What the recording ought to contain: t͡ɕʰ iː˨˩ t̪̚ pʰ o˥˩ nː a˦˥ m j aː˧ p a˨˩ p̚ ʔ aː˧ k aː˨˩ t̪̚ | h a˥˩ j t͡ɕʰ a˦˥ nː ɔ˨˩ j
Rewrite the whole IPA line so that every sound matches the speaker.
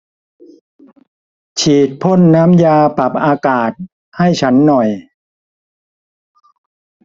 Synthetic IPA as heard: t͡ɕʰ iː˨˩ t̪̚ pʰ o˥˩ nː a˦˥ m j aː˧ p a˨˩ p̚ ʔ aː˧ k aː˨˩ t̪̚ | h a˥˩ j t͡ɕʰ a˦˥ nː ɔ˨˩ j